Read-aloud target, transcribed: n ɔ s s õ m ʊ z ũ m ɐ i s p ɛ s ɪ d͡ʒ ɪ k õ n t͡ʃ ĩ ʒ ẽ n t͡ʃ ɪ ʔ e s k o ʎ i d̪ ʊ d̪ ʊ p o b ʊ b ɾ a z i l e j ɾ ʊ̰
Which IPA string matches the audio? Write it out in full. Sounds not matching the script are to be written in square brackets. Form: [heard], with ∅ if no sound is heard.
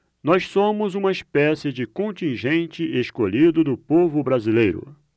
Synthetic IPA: n ɔ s s õ m ʊ z ũ m ɐ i s p ɛ s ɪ d͡ʒ ɪ k õ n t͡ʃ ĩ ʒ ẽ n t͡ʃ ɪ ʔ e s k o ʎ i d̪ ʊ d̪ ʊ p o [v] ʊ b ɾ a z i l e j ɾ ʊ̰